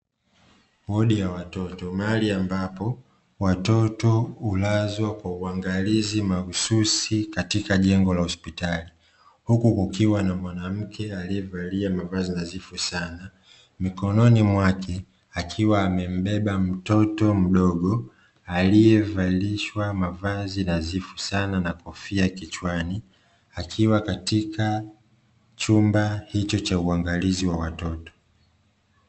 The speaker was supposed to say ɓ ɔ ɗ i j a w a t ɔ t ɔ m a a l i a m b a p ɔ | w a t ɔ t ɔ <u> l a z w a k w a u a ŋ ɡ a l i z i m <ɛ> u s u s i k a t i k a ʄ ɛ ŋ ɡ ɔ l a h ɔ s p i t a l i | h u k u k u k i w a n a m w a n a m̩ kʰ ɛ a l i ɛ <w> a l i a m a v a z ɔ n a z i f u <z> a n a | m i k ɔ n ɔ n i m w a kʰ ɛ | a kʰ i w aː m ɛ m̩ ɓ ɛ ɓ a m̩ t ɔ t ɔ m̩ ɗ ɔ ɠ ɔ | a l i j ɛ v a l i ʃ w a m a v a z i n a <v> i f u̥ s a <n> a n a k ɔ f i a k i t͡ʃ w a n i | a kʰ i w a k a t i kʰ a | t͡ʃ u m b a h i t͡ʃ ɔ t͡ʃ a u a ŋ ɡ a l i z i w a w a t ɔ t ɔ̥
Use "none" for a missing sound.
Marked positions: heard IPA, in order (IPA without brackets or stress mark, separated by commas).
u, a, v, s, z, n